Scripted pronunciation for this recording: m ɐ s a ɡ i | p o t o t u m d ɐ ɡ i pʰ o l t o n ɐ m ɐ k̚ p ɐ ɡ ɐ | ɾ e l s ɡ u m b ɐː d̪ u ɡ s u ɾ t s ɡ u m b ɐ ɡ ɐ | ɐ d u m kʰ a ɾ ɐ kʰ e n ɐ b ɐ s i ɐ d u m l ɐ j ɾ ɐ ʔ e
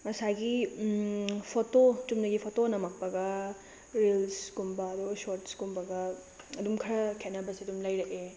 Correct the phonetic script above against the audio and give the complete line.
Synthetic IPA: m ɐ s a ɡ i | pʰ o t o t u m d ɐ ɡ i pʰ o t o n ɐ m ɐ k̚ p ɐ ɡ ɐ | ɾ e l s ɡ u m b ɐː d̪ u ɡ s o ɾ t s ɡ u m b ɐ ɡ ɐ | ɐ d u m kʰ ɐ ɾ ɐ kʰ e n ɐ b ɐ s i ɐ d u m l ɐ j ɾ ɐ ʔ e